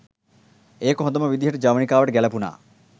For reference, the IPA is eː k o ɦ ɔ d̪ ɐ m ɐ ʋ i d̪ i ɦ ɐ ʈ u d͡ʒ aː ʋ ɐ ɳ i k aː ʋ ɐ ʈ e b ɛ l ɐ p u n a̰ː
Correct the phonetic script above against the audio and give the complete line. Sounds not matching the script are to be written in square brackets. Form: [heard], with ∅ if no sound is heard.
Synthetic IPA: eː k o ɦ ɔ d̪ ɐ m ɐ ʋ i d̪ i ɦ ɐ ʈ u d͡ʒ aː ʋ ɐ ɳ i k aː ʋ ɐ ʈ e [ɡ] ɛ l ɐ p u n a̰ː